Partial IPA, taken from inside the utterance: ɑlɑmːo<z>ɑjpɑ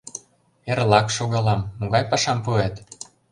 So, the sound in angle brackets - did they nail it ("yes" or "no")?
no